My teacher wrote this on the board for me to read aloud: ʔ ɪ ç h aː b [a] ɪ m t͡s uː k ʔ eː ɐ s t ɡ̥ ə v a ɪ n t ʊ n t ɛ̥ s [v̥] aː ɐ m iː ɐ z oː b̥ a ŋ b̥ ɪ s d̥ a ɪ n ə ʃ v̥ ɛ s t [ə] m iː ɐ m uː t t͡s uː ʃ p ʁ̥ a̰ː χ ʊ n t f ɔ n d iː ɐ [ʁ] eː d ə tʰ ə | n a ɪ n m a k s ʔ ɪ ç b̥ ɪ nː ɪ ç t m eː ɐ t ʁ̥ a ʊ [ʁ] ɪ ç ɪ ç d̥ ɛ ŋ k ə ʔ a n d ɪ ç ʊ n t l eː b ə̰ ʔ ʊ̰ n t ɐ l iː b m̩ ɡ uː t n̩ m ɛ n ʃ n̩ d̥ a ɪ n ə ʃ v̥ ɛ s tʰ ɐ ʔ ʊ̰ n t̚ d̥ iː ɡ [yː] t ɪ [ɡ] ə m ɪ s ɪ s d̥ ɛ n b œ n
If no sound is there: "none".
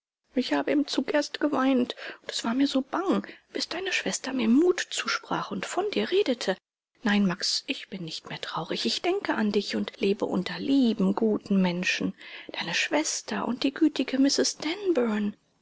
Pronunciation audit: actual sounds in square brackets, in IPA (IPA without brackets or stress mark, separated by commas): ə, v̥, ɐ, ʁ, ʁ, yː, ɡ